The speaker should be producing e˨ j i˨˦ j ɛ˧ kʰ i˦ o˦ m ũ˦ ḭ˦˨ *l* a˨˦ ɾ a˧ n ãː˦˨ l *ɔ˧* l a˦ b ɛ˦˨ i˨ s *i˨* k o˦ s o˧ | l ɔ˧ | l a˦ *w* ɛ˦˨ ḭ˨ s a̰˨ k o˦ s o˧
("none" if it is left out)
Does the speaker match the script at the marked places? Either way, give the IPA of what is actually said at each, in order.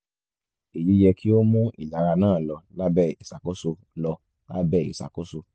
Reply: l, ɔ˧, a˨, b

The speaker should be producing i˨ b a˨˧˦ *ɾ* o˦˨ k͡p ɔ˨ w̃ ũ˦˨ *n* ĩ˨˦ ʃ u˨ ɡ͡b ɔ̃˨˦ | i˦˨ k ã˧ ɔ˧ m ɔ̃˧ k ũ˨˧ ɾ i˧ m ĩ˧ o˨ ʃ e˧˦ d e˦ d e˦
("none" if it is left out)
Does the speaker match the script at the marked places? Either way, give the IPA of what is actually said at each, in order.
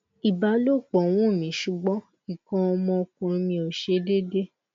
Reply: l, m

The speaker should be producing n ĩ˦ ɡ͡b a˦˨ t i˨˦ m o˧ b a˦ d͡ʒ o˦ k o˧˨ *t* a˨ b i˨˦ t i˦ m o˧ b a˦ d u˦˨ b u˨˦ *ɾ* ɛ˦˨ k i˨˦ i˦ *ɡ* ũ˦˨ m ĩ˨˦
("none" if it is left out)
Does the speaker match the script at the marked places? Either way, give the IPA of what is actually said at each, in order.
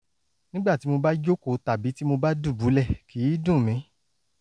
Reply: t, l, d

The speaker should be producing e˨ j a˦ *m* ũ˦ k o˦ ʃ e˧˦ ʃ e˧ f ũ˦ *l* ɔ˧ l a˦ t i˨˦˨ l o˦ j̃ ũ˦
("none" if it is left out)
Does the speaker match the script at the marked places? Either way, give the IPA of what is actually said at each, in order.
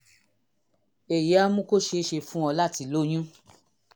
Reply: m, none

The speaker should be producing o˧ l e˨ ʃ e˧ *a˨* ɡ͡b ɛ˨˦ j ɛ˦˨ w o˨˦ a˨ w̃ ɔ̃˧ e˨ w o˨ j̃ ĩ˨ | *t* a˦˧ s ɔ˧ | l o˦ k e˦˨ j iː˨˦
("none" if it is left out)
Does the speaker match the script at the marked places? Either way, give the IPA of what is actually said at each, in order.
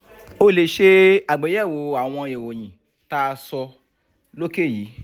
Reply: a˨, t

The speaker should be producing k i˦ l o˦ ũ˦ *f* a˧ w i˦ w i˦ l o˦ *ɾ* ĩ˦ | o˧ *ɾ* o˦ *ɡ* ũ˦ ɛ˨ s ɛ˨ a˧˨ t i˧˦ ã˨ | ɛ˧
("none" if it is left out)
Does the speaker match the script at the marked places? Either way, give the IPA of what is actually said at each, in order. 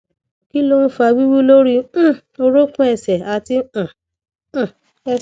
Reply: f, ɾ, ɾ, k

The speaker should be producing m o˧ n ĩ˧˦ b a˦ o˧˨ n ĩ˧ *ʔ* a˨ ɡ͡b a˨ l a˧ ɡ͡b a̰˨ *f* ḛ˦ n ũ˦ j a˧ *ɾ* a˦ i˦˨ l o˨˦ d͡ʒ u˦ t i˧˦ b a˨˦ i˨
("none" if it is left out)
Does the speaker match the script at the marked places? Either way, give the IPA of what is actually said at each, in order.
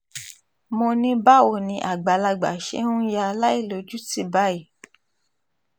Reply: ʔ, ʃ, l

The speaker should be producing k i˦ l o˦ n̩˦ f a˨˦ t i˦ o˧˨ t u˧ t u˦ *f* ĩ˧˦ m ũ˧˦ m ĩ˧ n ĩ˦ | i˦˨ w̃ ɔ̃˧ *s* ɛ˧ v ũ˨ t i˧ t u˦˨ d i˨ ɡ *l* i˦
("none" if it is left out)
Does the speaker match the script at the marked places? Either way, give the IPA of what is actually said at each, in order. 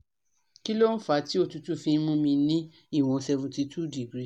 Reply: f, s, ɾ

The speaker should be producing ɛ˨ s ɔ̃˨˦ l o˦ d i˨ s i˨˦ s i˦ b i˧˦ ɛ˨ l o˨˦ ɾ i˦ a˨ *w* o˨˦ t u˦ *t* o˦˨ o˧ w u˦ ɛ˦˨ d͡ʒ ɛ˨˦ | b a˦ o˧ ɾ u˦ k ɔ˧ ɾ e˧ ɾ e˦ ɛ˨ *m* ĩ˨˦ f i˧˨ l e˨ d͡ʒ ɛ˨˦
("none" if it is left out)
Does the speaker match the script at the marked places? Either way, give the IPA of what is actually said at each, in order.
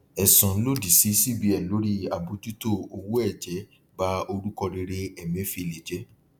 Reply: b, t, m

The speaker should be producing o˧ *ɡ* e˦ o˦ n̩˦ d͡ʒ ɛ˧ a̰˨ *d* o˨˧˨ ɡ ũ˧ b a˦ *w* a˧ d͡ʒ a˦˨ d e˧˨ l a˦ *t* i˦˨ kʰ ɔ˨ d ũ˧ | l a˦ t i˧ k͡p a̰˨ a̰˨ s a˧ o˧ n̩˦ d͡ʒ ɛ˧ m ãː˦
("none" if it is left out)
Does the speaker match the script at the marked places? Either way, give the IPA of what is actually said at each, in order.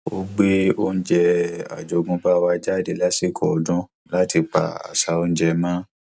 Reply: ɡ͡b, d͡ʒ, w, s

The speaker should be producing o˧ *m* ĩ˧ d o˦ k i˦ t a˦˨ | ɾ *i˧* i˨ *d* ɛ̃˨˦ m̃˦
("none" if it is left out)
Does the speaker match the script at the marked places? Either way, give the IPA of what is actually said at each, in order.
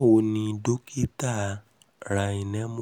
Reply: n, a˧, n

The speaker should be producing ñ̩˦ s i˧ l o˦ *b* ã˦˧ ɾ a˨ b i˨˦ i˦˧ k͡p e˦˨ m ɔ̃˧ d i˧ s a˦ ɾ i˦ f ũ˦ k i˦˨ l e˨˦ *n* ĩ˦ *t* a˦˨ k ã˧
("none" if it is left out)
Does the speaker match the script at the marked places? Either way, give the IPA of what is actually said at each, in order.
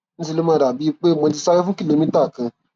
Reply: m, m, t

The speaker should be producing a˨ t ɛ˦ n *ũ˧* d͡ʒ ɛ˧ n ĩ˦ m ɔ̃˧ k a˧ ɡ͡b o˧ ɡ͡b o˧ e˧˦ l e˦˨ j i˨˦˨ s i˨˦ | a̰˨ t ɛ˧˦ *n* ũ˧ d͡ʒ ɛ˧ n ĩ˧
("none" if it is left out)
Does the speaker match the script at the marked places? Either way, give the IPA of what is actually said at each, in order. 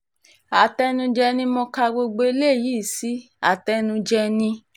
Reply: ũ˧, n

